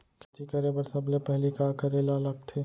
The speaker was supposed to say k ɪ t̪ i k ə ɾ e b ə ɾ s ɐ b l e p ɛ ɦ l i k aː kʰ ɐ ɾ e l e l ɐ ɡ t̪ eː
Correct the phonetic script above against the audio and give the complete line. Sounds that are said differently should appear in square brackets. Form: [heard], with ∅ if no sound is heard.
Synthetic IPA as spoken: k ɪ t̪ i k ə ɾ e b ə ɾ s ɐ b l e p ɛ ɦ l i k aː [k] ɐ ɾ e l [a] l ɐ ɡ [t̪ʰ] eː